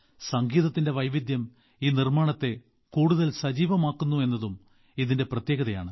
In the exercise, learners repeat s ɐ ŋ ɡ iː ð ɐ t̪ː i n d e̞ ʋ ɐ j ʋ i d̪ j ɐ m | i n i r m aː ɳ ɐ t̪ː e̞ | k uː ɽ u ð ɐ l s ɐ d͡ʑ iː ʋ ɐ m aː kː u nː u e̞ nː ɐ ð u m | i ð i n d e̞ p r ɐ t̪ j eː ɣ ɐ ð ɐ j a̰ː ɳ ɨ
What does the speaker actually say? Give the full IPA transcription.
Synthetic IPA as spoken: s ɐ ŋ ɡ iː ð ɐ t̪ː i n d e̞ ʋ ɐ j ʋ i d̪ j ɐ m | iː n i r m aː ɳ ɐ t̪ː e̞ | k uː ɽ u ð ɐ l s ɐ d͡ʑ iː ʋ ɐ m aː kː u nː u e̞ nː ɐ ð u m | i ð i n d e̞ p r ɐ t̪ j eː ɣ ɐ ð ɐ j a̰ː ɳ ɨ